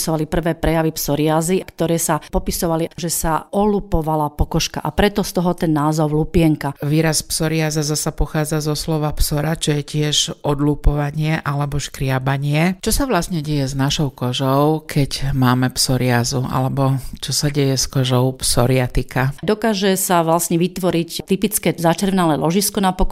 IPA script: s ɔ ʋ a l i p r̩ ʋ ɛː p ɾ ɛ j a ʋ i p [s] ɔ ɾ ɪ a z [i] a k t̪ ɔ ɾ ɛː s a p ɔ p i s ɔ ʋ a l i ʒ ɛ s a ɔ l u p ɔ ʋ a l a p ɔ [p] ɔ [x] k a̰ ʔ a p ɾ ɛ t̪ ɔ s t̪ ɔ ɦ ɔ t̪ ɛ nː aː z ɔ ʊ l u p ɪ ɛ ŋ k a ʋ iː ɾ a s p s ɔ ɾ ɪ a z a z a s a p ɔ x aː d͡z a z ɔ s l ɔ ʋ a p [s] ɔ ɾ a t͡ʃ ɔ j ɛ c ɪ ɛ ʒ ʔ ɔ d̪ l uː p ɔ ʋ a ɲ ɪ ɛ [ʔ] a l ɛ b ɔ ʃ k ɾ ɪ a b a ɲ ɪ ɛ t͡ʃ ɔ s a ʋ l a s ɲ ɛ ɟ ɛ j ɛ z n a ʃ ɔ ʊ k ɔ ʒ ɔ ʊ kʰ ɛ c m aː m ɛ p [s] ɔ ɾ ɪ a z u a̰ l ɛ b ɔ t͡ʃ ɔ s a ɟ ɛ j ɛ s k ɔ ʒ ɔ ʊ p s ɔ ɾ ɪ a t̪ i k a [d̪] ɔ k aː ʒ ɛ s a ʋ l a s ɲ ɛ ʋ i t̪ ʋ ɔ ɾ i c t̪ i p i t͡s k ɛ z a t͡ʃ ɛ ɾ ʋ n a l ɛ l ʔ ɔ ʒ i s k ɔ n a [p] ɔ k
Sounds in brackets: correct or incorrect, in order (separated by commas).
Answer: correct, correct, incorrect, incorrect, correct, correct, correct, correct, correct